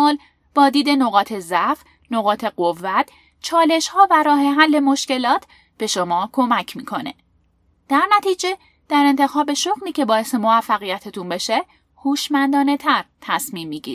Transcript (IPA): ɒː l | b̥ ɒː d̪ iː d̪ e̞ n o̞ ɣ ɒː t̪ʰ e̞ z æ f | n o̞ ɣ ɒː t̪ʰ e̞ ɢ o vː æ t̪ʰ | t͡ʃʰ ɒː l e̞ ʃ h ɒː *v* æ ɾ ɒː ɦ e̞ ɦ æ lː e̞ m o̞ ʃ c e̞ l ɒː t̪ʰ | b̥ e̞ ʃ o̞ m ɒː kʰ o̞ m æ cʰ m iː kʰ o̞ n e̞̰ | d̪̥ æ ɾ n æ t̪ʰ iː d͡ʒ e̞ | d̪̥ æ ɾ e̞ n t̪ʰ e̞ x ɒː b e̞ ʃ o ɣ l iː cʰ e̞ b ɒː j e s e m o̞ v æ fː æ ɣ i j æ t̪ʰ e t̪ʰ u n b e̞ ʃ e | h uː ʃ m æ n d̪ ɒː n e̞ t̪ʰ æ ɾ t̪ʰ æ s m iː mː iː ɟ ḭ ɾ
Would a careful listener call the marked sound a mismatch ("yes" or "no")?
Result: no